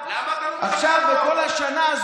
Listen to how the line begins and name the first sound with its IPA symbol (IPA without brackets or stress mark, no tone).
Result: a